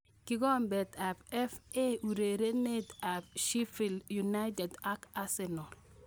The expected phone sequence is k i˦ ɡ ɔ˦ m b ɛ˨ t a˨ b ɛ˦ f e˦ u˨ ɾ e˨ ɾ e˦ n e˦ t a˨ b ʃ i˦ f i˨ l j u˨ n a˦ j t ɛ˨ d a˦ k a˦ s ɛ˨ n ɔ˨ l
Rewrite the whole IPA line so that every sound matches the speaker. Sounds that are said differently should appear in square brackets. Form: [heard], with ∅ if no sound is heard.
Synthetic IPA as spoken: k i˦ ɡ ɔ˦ m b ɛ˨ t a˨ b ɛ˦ f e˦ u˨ ɾ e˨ ɾ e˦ n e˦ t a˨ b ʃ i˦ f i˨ l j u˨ n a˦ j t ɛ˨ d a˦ k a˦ s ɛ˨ n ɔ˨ l